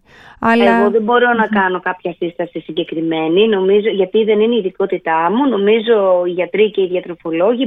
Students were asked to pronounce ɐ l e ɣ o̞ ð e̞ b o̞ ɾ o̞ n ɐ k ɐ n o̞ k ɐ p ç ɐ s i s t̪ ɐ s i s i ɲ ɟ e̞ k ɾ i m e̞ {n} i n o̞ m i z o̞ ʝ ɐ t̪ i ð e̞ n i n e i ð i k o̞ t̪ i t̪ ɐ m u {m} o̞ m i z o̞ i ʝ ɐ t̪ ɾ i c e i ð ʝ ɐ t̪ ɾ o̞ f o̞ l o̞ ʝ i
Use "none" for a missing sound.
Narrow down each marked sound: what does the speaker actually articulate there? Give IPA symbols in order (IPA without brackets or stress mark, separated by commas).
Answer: n, n